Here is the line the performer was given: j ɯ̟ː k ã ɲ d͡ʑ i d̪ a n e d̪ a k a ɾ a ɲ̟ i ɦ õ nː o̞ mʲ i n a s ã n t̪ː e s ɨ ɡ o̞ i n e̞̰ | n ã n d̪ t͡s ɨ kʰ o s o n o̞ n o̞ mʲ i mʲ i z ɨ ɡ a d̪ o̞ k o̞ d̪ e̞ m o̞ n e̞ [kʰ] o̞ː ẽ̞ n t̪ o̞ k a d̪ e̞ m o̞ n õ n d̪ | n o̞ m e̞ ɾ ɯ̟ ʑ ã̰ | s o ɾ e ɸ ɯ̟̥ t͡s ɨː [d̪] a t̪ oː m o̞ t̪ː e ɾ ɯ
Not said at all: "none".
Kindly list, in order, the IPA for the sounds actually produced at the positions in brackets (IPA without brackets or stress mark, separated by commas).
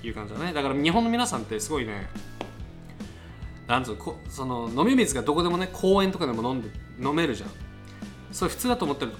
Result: kʰ, d̪